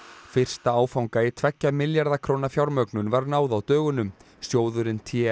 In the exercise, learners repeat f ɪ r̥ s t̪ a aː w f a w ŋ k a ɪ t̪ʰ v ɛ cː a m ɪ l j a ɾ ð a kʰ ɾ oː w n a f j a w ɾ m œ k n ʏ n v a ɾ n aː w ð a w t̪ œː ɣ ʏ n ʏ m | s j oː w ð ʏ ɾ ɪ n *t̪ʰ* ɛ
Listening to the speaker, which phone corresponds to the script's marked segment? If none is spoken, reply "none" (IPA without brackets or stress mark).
t̪ʰ